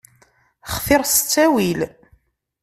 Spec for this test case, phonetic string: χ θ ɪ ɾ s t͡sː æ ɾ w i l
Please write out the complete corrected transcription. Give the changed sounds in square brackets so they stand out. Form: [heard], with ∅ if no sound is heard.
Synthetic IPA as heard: χ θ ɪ ɾ s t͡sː æ [∅] w i l